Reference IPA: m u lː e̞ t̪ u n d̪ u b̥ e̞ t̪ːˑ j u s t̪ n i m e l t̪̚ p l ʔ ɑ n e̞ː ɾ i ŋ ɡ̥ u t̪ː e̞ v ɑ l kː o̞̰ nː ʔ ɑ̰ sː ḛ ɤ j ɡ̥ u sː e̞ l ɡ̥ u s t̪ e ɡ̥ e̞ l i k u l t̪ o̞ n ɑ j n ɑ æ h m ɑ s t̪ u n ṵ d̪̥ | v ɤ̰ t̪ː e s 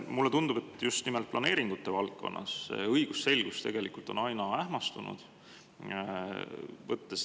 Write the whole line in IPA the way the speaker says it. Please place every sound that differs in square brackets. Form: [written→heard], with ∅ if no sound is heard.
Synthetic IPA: m u lː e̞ t̪ u n d̪ u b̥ e̞ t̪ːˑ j u s t̪ n i m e l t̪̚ p l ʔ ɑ n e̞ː ɾ i ŋ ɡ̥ u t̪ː e̞ v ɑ l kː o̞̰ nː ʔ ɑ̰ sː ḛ ɤ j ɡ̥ u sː e̞ l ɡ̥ u s t̪ e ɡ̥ e̞ l i k u l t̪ o̞ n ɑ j n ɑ æ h m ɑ s t̪ u n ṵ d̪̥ | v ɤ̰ t̪ː e s

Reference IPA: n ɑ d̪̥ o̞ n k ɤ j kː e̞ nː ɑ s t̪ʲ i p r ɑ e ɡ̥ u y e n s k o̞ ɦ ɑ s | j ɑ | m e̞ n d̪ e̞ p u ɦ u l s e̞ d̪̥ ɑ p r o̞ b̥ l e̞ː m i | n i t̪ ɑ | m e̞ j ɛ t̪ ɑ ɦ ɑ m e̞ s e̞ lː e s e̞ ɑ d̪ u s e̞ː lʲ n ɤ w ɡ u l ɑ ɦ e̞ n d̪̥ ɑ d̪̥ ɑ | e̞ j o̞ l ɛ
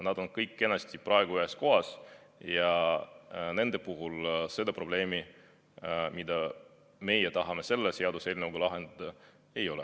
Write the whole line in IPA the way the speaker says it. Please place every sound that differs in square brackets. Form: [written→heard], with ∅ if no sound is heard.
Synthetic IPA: n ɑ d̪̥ o̞ n k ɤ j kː e̞ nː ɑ s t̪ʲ i p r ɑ e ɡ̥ u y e [n→∅] s k o̞ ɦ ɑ s | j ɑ | [m→n] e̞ n d̪ e̞ p u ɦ u l s e̞ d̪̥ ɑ p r o̞ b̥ l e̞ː m i | [n→m] i [t̪→d̪] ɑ | m e̞ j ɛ t̪ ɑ ɦ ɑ m e̞ s e̞ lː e s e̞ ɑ d̪ u s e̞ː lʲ n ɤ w ɡ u l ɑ ɦ e̞ n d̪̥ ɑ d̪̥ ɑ | e̞ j o̞ l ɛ

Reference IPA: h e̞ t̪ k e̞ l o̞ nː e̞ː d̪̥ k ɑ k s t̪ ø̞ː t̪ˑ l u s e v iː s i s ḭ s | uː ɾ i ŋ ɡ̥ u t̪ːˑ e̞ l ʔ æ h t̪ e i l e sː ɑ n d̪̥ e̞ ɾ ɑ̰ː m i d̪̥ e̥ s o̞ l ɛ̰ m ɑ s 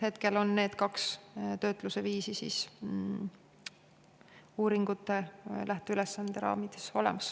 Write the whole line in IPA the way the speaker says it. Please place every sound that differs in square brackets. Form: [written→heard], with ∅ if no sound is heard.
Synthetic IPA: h e̞ t̪ k e̞ l o̞ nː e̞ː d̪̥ k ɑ k s t̪ ø̞ː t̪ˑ l u s e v iː s i s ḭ s | uː ɾ i ŋ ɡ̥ u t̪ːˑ e̞ l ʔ æ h t̪ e [i→y] l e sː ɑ n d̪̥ e̞ ɾ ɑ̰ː m i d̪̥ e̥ s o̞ l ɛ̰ m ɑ s

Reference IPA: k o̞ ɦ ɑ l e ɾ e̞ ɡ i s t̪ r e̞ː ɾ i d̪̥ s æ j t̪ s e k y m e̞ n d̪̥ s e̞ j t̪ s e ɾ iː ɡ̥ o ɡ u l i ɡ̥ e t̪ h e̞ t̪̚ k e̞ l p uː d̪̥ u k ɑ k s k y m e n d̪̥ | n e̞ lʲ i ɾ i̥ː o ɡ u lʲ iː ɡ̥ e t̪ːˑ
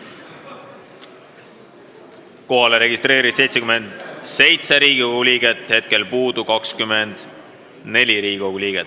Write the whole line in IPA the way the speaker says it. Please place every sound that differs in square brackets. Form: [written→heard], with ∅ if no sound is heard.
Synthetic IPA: k o̞ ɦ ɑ l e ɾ e̞ ɡ i s t̪ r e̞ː ɾ i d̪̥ s [æ→e] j t̪ s e k y m e̞ n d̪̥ s e̞ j t̪ s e ɾ iː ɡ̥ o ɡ u l i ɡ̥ e t̪ h e̞ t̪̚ k e̞ l p uː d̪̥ u k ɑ k s k y m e n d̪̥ | n e̞ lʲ i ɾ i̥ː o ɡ u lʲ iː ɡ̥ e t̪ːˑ

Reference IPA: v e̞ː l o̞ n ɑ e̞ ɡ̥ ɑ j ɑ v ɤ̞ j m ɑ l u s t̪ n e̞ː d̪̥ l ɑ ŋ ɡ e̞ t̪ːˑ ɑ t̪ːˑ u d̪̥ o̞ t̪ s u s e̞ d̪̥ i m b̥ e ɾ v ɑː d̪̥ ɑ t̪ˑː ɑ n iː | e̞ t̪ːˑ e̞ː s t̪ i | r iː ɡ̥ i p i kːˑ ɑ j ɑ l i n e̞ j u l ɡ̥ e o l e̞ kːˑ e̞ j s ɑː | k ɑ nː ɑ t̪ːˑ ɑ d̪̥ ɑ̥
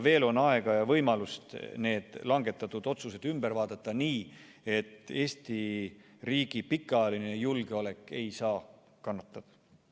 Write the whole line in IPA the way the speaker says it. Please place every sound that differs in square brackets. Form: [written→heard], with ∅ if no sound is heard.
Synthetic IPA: v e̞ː l o̞ n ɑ e̞ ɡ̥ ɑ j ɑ v ɤ̞ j m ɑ l u s t̪ n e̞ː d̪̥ l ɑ ŋ ɡ e̞ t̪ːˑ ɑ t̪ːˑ u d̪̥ o̞ t̪ s u s e̞ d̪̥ [i→y] m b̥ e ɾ v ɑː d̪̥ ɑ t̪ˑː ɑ n iː | e̞ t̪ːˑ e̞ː s t̪ i | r iː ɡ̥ i p i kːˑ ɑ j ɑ l i n e̞ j u l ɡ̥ e o l e̞ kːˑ e̞ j s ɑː | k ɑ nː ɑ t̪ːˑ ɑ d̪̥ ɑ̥

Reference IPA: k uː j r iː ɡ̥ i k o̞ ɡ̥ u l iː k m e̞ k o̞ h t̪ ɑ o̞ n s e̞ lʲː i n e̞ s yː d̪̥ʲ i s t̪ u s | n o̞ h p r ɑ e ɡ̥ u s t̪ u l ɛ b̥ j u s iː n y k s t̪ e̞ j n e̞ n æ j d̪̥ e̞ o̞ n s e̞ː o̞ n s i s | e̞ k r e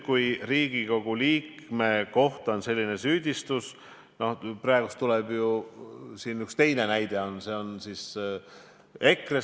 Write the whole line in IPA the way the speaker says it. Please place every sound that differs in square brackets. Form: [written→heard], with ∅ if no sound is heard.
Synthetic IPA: k [uː→u] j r iː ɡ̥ i k o̞ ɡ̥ u l iː k m e̞ k o̞ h t̪ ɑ o̞ n s e̞ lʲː i n e̞ s yː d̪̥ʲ i s t̪ u s | n o̞ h p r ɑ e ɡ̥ u s t̪ u l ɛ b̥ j u s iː n y k s t̪ e̞ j n e̞ n æ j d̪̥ e̞ o̞ n s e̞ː o̞ n s i s | e̞ k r e

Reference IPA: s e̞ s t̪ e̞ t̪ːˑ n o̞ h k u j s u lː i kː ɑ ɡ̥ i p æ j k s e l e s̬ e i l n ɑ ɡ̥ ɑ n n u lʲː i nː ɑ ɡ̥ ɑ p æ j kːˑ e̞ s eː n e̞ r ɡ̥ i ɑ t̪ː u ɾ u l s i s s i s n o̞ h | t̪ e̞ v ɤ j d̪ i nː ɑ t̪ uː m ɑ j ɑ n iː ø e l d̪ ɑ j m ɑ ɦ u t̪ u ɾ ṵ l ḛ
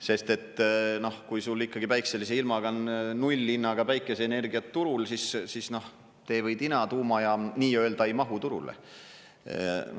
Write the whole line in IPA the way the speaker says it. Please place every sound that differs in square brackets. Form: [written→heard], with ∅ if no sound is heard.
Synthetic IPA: s e̞ s t̪ e̞ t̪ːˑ n o̞ h k u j s u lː i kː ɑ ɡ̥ i p æ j k s e l [e→i] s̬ e i l [n→m] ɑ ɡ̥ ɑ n n u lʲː i nː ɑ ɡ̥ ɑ p æ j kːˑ e̞ s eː n e̞ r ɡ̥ i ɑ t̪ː u ɾ u l s i s s i s n o̞ h | t̪ e̞ v ɤ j d̪ i [nː→n] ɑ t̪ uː m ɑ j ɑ n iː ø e l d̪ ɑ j m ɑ ɦ u t̪ u ɾ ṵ l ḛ

